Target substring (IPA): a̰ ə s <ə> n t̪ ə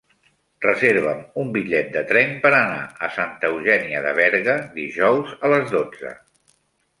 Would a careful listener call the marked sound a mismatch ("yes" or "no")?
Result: yes